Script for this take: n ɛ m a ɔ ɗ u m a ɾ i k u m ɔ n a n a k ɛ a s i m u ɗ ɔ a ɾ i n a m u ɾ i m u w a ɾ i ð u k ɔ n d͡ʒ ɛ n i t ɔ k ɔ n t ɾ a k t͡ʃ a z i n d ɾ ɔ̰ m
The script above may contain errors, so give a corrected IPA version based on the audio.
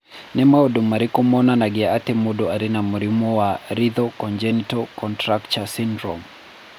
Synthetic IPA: n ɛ m a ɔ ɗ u m a ɾ i k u m ɔ n a n a ɡ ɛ a t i m u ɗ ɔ a ɾ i n a m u ɾ i m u w a ɾ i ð ɔ k ɔ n d͡ʒ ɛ n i t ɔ k ɔ n t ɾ a k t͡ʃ a s i n d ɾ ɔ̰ m

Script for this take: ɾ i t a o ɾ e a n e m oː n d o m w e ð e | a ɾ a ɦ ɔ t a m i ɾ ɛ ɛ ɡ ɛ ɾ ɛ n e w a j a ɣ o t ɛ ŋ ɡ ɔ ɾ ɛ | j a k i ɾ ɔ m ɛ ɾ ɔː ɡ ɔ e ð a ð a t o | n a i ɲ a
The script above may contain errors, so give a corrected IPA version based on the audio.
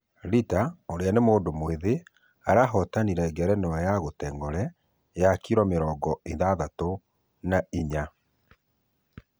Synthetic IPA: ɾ i t a o ɾ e a n e m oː n d o m w e ð e | a ɾ a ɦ ɔ t a n i ɾ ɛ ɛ ɡ ɛ ɾ ɛ n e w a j a ɣ o t ɛ ŋ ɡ ɔ ɾ ɛ | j a k i ɾ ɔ m e ɾ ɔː ɡ ɔ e ð a ð a t o | n a i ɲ a

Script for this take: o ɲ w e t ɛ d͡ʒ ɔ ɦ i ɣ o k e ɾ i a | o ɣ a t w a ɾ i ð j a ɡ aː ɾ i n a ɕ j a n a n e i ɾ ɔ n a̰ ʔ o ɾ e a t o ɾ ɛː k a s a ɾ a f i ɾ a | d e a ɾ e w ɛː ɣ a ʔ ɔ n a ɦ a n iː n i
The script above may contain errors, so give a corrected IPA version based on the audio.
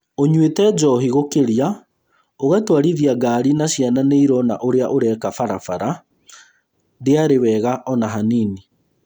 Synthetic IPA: o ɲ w e t ɛ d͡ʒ ɔ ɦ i ɣ o k e ɾ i a | o ɣ a t w a ɾ i ð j a ɡ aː ɾ i n a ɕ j a n a n e i ɾ ɔ n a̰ ʔ o ɾ e a ʔ o ɾ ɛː k a f a ɾ a f a ɾ a | d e a ɾ e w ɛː ɣ a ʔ ɔ n a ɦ a n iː n i

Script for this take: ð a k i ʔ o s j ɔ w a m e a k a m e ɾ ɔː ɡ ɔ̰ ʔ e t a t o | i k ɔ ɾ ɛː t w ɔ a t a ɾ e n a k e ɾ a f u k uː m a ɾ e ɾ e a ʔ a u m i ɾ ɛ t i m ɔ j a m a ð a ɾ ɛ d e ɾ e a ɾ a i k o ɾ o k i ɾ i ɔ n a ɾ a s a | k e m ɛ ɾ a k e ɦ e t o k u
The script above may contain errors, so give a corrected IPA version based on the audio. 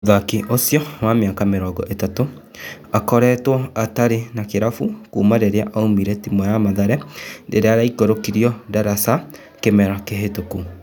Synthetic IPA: ð a k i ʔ o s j ɔ w a m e a k a m e ɾ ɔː ɡ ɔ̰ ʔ e t a t o | a k ɔ ɾ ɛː t w ɔ a t a ɾ e n a k e ɾ a f u k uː m a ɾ e ɾ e a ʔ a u m i ɾ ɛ t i m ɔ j a m a ð a ɾ ɛ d e ɾ e a ɾ a i k o ɾ o k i ɾ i ɔ d a ɾ a s a | k e m ɛ ɾ a k e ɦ e t o k u

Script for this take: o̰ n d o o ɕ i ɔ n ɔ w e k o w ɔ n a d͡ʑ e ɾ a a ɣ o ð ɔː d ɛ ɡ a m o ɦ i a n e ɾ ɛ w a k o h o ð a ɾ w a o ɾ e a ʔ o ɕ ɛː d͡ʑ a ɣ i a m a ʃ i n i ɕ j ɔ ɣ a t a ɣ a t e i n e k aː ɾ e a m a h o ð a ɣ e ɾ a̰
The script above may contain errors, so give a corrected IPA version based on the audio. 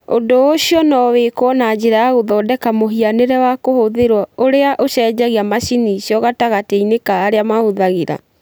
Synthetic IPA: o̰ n d o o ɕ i ɔ n ɔ w e k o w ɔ n a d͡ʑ e ɾ a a ɣ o ð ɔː d ɛ k a m o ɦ i a n e ɾ ɛ w a k o h o ð e ɾ w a o ɾ e a ʔ o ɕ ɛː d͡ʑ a ɣ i a m a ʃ i n i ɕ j ɔ ɣ a t a ɣ a t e i n e k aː ɾ e a m a h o ð a ɣ e ɾ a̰

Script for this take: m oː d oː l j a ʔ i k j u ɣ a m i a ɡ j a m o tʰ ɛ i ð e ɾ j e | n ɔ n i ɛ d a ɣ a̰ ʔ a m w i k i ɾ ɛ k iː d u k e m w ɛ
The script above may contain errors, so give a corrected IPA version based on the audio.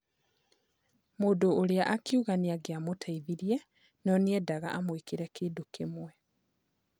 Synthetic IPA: m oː d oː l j a ʔ a k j u ɣ a n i a ɡ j a m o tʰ a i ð i ɾ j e | n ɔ n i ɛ d a ɣ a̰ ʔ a m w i k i ɾ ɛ k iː d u k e m w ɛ

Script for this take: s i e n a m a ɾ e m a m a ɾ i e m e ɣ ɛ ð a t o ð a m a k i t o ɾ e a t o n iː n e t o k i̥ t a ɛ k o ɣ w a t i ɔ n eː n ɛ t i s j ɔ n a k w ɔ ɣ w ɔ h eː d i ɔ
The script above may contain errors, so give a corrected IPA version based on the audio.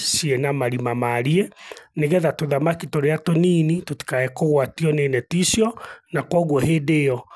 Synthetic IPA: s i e n a m a ɾ i m a m a ɾ i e n e ɣ ɛ ð a t o ð a m a k i t o ɾ e a t o n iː n i t o t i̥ k a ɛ k o ɣ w a t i ɔ n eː n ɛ t i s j ɔ n a k w ɔ ɣ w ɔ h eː d e ɔ

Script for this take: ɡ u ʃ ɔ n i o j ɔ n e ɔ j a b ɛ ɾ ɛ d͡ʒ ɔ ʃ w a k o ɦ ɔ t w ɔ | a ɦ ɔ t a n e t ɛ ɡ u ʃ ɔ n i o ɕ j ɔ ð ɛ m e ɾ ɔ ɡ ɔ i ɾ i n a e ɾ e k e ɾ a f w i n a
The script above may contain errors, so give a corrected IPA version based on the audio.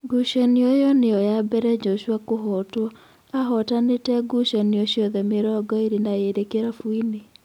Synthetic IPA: ɡ u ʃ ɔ n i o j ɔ n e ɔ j a b ɛ ɾ ɛ d͡ʒ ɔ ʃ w a k o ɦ ɔ t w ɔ | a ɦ ɔ t a n e t ɛ ɡ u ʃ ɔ n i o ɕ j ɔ ð ɛ m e ɾ ɔ ɡ ɔ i ɾ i n a e ɾ e k e ɾ a f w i n e

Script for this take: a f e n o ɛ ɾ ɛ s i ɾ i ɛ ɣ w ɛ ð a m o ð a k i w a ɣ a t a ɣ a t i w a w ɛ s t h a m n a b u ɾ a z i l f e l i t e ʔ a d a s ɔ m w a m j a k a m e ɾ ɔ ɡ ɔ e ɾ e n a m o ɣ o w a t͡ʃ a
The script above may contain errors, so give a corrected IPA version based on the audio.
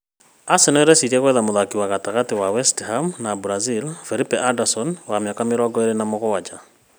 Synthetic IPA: a s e n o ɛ ɾ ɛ s i ɾ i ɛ ɣ w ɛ ð a m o ð a k i w a ɣ a t a ɣ a t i w a w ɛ s t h a m n a b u ɾ a z i l f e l i p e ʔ a d a s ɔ n w a m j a k a m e ɾ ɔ ɡ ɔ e ɾ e n a m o ɣ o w a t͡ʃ a

